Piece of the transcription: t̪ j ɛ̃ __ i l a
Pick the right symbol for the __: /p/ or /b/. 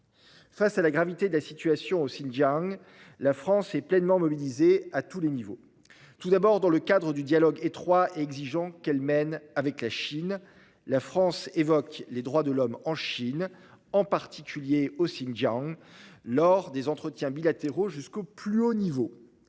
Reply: b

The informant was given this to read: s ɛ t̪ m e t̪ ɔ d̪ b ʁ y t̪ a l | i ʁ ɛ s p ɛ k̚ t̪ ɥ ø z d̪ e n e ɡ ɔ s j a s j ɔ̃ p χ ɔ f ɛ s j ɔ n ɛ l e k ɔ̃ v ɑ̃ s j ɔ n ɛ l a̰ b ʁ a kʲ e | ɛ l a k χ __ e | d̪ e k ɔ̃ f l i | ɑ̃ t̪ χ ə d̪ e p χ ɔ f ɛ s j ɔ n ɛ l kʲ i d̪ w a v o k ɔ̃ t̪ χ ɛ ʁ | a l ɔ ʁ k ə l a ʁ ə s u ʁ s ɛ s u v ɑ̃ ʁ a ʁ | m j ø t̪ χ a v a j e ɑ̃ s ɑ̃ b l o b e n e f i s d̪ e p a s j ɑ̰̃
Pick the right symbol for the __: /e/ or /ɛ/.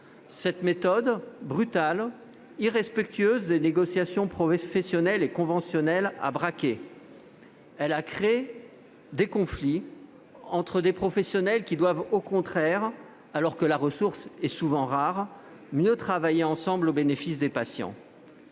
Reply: e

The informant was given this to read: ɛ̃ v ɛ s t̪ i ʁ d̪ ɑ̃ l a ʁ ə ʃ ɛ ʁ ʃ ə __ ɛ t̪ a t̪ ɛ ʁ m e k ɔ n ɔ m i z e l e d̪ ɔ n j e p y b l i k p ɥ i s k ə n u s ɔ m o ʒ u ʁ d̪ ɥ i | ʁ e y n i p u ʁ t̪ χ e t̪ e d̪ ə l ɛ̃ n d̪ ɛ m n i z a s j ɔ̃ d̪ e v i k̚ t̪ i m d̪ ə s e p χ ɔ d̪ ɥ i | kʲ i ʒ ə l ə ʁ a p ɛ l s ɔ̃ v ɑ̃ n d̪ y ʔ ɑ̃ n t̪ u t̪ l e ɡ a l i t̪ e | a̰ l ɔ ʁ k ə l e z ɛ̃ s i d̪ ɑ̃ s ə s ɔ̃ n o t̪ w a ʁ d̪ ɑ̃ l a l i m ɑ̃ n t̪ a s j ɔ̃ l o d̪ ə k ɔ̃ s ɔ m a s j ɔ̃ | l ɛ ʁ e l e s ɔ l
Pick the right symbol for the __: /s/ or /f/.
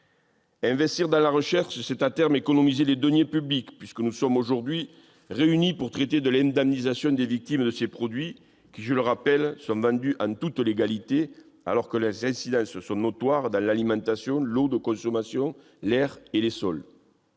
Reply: s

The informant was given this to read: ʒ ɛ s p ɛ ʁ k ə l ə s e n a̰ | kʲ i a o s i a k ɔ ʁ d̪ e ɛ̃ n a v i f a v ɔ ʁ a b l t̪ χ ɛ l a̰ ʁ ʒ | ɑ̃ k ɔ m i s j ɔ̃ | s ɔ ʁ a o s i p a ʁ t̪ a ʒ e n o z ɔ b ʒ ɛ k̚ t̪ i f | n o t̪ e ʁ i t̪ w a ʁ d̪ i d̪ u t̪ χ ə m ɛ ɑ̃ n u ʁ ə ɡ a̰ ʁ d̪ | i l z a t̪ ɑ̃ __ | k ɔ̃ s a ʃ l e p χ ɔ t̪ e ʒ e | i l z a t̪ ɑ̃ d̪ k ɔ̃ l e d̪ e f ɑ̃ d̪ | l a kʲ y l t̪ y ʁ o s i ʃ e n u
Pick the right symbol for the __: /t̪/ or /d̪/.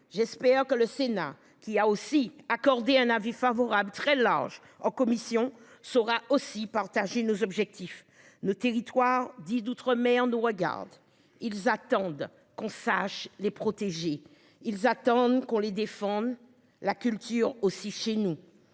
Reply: d̪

